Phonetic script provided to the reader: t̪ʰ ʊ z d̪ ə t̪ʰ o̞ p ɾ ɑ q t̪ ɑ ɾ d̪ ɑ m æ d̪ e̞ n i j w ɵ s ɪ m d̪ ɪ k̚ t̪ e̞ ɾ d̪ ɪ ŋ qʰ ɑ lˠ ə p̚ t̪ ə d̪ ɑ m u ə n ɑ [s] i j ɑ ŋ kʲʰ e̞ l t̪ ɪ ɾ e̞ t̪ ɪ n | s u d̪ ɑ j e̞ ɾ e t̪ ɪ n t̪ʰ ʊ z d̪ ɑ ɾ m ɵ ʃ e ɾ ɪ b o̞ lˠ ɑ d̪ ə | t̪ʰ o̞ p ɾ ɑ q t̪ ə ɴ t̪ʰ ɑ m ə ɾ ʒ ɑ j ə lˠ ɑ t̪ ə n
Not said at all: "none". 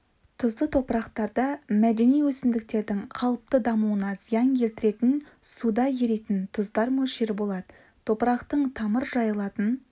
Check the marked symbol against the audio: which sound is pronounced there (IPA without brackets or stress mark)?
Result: z